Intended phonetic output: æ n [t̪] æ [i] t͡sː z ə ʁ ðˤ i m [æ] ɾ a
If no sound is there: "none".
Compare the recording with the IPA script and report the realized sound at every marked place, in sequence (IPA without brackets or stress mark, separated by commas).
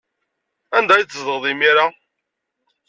d̪, j, i